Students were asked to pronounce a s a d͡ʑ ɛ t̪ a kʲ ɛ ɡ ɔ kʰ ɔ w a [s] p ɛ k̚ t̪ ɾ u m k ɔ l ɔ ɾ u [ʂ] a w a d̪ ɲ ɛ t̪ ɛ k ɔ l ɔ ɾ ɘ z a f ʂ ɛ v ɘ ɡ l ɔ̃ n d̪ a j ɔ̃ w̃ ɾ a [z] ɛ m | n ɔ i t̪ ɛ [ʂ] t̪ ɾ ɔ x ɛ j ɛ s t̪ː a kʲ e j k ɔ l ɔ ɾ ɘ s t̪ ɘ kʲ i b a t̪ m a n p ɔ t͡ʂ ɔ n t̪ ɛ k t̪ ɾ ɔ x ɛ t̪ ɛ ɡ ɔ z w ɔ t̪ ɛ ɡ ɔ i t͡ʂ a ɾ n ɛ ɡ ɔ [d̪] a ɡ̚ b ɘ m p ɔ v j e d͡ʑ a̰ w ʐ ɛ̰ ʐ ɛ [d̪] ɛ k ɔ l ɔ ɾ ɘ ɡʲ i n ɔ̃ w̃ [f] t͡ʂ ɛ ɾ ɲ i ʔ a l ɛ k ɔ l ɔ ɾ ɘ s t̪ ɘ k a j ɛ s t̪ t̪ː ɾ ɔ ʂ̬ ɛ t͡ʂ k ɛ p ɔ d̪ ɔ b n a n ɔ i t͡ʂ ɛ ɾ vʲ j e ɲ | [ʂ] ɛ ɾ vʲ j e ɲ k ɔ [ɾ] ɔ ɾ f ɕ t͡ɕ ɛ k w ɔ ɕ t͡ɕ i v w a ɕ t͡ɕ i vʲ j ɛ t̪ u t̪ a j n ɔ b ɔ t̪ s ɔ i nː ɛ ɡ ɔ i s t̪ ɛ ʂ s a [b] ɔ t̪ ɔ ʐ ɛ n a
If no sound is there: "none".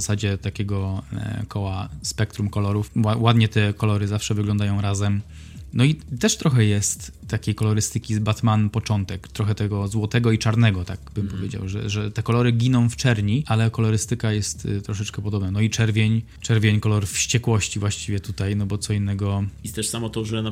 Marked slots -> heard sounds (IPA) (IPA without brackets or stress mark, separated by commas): s, f, z, ʂ, t̪, t̪, f, t͡ʂ, l, m